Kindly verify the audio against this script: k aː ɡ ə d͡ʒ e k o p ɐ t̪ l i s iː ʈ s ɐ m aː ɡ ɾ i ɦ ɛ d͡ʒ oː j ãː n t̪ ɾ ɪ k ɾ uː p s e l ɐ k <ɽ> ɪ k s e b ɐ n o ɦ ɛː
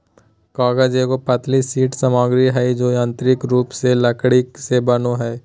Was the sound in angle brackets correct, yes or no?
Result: yes